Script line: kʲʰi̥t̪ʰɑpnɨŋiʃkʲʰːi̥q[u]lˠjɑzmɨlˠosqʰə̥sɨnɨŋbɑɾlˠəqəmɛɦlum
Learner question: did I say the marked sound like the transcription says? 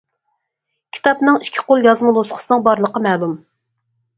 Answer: no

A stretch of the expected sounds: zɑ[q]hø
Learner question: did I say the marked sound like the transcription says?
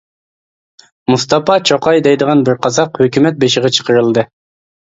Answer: yes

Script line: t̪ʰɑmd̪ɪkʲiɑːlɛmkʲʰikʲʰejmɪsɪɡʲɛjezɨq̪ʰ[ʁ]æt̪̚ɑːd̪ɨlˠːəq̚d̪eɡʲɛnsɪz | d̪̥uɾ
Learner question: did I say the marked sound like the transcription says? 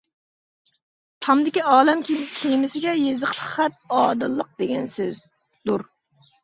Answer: no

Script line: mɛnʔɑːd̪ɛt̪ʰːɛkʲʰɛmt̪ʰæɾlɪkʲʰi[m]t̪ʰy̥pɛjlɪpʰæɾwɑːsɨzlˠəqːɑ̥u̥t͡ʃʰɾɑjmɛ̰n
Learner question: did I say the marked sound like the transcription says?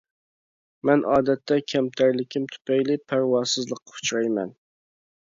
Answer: yes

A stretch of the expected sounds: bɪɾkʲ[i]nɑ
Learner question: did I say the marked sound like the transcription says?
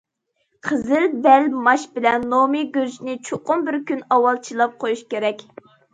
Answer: no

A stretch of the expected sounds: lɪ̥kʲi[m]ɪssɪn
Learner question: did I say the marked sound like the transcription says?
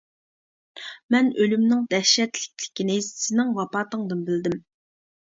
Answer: no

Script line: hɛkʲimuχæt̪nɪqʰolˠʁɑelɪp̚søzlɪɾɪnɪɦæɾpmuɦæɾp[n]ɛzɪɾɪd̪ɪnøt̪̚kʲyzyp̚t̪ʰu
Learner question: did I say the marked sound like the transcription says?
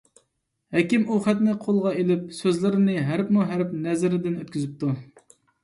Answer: yes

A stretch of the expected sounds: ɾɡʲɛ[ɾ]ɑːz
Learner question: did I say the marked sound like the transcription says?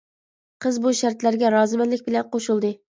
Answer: yes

